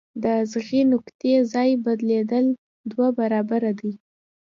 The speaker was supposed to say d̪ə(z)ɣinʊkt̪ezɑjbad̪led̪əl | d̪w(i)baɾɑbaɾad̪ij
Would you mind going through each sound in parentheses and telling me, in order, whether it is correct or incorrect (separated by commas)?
correct, incorrect